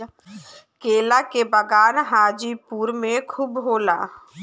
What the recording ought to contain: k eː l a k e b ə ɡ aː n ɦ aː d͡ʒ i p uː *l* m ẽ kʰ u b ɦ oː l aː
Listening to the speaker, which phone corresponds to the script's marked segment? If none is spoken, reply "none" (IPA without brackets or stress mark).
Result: ɾ